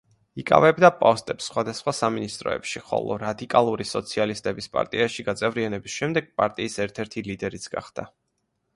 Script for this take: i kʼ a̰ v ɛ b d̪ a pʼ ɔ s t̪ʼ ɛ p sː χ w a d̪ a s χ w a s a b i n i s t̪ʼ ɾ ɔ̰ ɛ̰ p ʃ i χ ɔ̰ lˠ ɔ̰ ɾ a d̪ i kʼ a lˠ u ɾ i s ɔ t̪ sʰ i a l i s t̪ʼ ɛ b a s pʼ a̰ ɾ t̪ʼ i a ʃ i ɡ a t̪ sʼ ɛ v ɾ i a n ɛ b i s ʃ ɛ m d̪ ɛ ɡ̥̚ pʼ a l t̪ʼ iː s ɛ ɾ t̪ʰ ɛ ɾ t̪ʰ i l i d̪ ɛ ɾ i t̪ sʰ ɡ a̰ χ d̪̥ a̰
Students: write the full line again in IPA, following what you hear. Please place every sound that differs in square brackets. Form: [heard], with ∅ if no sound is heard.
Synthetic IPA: i kʼ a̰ v ɛ b d̪ a pʼ ɔ s t̪ʼ ɛ p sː χ w a d̪ a s χ w a s a [m] i n i s t̪ʼ ɾ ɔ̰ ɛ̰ p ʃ i χ ɔ̰ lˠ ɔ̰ ɾ a d̪ i kʼ a lˠ u ɾ i s ɔ t̪ sʰ i a l i s t̪ʼ ɛ b [i] s pʼ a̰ ɾ t̪ʼ i a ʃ i ɡ a t̪ sʼ ɛ v ɾ i a n ɛ b i s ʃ ɛ m d̪ ɛ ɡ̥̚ pʼ a [ɾ] t̪ʼ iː s ɛ ɾ t̪ʰ ɛ ɾ t̪ʰ i l i d̪ ɛ ɾ i t̪ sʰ ɡ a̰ χ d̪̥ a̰